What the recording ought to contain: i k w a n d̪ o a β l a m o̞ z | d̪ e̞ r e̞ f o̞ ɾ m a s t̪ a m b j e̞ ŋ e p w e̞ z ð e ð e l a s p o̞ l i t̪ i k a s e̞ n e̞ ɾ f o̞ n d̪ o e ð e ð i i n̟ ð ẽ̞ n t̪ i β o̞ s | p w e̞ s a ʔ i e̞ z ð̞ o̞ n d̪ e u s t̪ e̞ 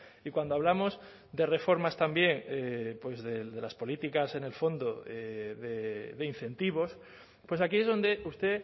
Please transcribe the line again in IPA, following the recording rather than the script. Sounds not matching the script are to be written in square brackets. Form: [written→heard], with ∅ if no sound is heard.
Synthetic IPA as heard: i k w a n d̪ o a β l a m o̞ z | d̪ e̞ r e̞ f o̞ ɾ m a s t̪ a m b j e̞ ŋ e p w e̞ z ð e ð e l a s p o̞ l i t̪ i k a s e̞ n e̞ [ɾ→l] f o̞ n d̪ o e ð e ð [i→e] i n̟ [ð→θ] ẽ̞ n t̪ i β o̞ s | p w e̞ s a [ʔ→k] i e̞ z ð̞ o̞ n d̪ e u s t̪ e̞

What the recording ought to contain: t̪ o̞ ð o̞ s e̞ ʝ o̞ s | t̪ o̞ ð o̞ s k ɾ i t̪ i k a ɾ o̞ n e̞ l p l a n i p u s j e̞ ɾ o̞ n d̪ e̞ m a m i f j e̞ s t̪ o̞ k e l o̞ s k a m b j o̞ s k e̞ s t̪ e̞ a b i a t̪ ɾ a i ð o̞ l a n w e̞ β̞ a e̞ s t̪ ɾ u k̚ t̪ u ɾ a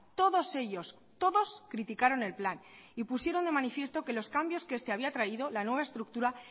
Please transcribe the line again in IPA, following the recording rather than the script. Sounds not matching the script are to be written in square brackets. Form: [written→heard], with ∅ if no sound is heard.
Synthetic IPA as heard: t̪ o̞ ð o̞ s e̞ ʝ o̞ s | t̪ o̞ ð o̞ s k ɾ i t̪ i k a ɾ o̞ n e̞ l p l a n i p u s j e̞ ɾ o̞ n d̪ e̞ m a [m→n] i f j e̞ s t̪ o̞ k e l o̞ s k a m b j o̞ s k e̞ s t̪ e̞ a [b→β] i a t̪ ɾ a i ð o̞ l a n w e̞ β̞ a e̞ s t̪ ɾ u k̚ t̪ u ɾ a

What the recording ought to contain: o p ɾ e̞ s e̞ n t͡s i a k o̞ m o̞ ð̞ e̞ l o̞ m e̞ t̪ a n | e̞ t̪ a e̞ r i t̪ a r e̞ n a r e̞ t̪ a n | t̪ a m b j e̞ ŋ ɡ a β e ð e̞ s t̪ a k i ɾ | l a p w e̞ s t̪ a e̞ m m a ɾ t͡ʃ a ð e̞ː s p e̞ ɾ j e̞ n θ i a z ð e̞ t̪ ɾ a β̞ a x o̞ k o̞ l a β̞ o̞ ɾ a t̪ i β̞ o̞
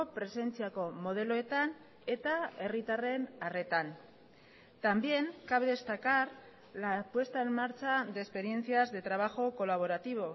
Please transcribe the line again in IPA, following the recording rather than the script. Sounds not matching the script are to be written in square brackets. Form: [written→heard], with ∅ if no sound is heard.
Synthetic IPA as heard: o p ɾ e̞ s e̞ n t͡s i a k o̞ m o̞ ð̞ e̞ l o̞ [m→∅] e̞ t̪ a n | e̞ t̪ a e̞ r i t̪ a r e̞ n a r e̞ t̪ a n | t̪ a m b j e̞ ŋ [ɡ→k] a β e ð e̞ s t̪ a k [i→a] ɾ | l a p w e̞ s t̪ a e̞ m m a ɾ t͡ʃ a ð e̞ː s p e̞ ɾ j e̞ n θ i a z ð e̞ t̪ ɾ a β̞ a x o̞ k o̞ l a β̞ o̞ ɾ a t̪ i β̞ o̞

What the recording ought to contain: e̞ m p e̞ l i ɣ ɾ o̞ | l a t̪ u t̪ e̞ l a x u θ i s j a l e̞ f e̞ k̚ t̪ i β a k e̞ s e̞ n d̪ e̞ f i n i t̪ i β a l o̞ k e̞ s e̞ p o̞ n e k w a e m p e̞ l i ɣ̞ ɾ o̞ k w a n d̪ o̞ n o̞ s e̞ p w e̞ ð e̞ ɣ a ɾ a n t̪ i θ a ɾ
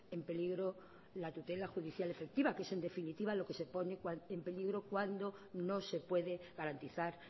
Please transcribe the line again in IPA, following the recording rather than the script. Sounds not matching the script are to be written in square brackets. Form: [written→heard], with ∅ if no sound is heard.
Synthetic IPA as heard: e̞ m p e̞ l i ɣ ɾ o̞ | l a t̪ u t̪ e̞ l a x u [θ→ð] i [s→θ] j a l e̞ f e̞ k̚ t̪ i β a k e̞ s e̞ n d̪ e̞ f i n i t̪ i β a l o̞ k e̞ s e̞ p o̞ n e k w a e m p e̞ l i ɣ̞ ɾ o̞ k w a n d̪ o̞ n o̞ s e̞ p w e̞ ð e̞ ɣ a ɾ a n t̪ i θ a ɾ

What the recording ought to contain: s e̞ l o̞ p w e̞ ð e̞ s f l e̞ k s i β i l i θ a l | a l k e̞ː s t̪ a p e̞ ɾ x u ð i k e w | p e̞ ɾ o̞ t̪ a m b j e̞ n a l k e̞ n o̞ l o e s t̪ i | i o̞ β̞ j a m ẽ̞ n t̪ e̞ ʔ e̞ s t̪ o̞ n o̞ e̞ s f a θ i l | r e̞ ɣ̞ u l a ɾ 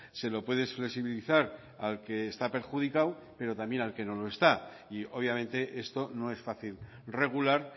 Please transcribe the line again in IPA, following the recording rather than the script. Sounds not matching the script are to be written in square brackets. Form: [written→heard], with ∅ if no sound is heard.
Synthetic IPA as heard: s e̞ l o̞ p w e̞ ð e̞ s f l e̞ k s i β i l i θ a [l→ɾ] | a l k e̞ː s t̪ a p e̞ ɾ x u ð i k [e→a] w | p e̞ ɾ o̞ t̪ a m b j e̞ n a l k e̞ n o̞ l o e s t̪ [i→a] | i o̞ β̞ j a m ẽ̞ n t̪ e̞ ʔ e̞ s t̪ o̞ n o̞ e̞ s f a θ i l | r e̞ ɣ̞ u l a ɾ

